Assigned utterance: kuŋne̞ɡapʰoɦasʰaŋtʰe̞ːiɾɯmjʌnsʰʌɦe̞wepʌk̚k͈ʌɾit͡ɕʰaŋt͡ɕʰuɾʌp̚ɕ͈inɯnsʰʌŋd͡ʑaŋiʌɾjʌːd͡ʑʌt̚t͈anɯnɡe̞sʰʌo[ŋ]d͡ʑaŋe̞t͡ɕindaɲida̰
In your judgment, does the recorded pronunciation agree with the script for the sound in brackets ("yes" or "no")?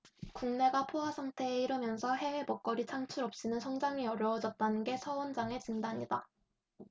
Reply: no